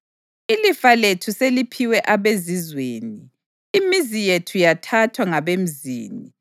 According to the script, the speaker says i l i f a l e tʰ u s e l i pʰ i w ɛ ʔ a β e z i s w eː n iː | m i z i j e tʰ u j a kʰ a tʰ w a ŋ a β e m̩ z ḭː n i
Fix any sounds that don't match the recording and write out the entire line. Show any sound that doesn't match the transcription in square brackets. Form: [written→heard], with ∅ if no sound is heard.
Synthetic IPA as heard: i l i f a l e tʰ u s e l i pʰ i w ɛ ʔ a β e z i [s→z] w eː n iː | m i z i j e tʰ u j a [kʰ→tʰ] a tʰ w a ŋ a β e m̩ z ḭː n i